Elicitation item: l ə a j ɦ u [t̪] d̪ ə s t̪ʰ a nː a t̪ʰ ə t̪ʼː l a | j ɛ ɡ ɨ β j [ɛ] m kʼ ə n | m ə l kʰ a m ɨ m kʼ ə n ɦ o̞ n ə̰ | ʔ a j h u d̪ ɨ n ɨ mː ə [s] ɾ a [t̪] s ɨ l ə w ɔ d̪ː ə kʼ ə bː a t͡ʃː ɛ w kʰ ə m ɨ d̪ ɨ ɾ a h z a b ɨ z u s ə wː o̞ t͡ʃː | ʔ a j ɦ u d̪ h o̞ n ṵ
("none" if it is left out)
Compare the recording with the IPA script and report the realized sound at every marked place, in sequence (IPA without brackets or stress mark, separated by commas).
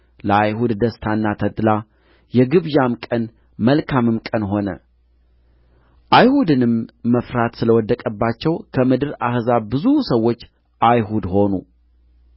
d̪, a, f, t̪